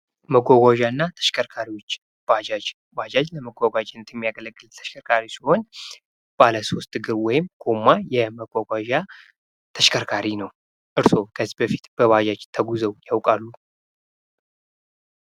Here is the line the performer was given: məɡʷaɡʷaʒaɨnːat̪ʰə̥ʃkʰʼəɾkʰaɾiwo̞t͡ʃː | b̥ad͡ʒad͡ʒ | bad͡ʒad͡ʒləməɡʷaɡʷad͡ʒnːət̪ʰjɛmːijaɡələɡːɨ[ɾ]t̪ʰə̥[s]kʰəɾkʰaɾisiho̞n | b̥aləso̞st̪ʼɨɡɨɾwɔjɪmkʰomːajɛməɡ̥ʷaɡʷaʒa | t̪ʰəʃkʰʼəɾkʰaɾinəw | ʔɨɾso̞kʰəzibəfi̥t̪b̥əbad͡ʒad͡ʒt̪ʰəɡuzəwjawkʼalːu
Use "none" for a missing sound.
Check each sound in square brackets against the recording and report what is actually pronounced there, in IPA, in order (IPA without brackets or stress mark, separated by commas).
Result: l, ʃ